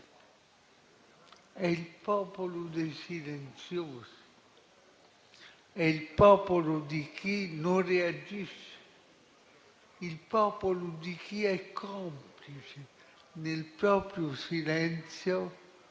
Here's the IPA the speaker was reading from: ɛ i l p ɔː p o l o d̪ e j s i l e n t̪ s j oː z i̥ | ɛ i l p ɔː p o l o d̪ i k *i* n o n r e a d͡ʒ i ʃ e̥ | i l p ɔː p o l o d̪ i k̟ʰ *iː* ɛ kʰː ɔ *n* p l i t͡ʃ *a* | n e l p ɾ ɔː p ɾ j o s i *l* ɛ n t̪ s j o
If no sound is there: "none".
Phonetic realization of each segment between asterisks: i, i, m, e, l

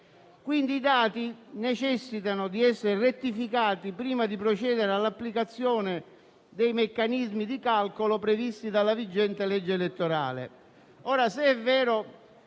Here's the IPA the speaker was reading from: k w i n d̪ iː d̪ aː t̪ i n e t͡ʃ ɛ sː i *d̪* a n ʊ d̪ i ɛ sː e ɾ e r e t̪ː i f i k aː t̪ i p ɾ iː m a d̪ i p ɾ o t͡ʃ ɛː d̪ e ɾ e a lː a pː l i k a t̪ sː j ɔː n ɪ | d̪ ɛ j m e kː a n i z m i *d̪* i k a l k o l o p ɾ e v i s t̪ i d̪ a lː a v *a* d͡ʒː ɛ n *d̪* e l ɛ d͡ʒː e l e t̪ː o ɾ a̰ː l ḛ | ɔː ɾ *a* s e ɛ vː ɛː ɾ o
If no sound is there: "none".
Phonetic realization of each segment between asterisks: t̪, d̪, i, t̪, a

